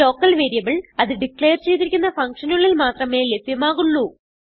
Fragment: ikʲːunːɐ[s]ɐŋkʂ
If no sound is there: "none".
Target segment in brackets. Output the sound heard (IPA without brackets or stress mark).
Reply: f